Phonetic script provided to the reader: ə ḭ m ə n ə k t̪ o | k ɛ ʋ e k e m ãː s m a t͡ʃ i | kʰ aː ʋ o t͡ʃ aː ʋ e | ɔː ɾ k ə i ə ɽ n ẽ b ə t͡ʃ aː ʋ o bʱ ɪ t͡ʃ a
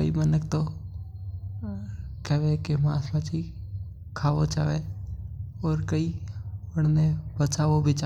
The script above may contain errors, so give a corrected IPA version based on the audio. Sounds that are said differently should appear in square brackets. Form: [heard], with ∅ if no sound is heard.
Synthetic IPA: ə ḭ m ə n ə k t̪ o | k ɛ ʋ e k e m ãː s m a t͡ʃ i | kʰ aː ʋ o t͡ʃ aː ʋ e | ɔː ɾ k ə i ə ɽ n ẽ b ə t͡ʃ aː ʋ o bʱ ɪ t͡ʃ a